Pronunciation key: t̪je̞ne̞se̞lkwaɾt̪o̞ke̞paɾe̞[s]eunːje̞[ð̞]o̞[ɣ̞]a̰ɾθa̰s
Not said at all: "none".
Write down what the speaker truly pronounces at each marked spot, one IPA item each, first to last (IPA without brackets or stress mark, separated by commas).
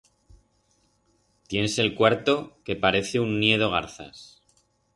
θ, ð̞, ɣ̞